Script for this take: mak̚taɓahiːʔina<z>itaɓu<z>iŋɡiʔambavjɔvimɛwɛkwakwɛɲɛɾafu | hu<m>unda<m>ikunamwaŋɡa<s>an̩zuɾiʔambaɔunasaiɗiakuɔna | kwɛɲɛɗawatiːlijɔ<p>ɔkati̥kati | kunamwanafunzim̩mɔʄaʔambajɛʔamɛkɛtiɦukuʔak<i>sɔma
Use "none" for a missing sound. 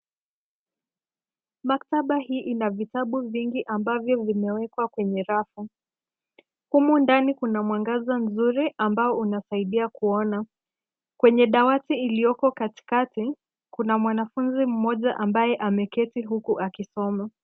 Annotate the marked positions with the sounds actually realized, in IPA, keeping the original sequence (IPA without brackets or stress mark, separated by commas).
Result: v, v, m, n, z, k, i